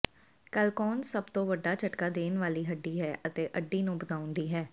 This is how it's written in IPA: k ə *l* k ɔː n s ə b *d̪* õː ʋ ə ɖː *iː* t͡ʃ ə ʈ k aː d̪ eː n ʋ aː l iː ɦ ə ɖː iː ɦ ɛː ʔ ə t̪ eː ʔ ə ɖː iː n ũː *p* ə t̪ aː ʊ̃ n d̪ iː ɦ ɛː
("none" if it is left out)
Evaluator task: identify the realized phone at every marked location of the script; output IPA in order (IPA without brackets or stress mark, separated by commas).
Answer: l, t̪, aː, b